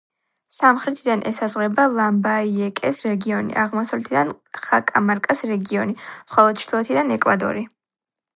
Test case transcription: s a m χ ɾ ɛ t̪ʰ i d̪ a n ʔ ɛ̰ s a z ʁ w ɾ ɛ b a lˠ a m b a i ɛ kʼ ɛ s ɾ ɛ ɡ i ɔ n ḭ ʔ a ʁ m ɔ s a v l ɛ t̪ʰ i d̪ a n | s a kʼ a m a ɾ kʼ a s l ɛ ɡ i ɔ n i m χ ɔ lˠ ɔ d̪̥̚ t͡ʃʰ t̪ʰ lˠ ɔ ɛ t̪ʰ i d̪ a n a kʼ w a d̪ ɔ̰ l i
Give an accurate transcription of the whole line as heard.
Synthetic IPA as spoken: s a m χ ɾ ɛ t̪ʰ i d̪ a n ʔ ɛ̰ s a z ʁ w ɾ ɛ b a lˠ a m b a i ɛ kʼ ɛ s ɾ ɛ ɡ i ɔ n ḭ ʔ a ʁ m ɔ s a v l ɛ t̪ʰ i d̪ a n | χ a kʼ a m a ɾ kʼ a s ɾ ɛ ɡ i ɔ n i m χ ɔ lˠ ɔ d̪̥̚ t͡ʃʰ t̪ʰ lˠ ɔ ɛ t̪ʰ i d̪ a n ɛ kʼ w a d̪ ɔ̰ ɾ i